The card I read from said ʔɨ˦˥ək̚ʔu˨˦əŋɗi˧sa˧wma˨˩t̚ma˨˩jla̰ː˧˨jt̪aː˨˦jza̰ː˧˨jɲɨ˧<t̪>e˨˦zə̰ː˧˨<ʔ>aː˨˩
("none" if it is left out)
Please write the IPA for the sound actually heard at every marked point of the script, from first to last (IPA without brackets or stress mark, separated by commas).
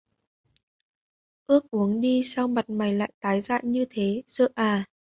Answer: t̪ʰ, ʔ